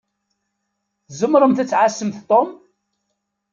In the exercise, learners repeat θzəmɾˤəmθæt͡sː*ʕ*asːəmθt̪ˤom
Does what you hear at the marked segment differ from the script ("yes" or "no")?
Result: no